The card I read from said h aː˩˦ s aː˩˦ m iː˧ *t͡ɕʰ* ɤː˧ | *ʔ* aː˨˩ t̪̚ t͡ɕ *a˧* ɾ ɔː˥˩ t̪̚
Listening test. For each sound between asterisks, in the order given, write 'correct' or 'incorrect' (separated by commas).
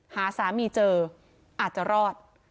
incorrect, correct, incorrect